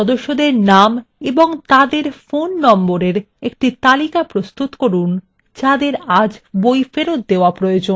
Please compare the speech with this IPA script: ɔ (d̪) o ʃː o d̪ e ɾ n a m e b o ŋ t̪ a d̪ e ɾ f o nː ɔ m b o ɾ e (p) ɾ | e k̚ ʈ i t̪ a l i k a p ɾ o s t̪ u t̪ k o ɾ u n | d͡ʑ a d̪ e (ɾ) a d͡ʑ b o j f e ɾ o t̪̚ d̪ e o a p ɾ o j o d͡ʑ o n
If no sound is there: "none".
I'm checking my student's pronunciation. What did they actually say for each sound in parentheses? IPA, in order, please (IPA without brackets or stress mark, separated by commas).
d̪, none, ɾ